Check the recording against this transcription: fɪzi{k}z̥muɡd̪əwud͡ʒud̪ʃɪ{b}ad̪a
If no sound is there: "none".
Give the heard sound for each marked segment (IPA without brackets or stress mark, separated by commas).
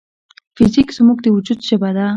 k, b